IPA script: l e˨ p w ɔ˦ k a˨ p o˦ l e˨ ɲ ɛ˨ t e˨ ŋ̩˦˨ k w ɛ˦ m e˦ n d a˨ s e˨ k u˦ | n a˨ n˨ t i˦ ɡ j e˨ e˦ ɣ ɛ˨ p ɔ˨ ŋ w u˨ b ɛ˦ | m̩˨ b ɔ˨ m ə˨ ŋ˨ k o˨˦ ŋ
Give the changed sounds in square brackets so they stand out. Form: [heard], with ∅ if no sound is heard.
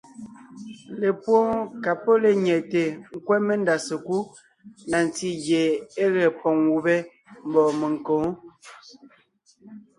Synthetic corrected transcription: l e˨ p w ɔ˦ k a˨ p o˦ l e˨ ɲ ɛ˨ t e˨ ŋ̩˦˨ k w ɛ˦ m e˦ n d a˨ s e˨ k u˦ | n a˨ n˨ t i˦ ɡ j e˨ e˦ ɣ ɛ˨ p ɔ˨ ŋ w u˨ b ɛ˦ | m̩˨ b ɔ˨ m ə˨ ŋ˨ k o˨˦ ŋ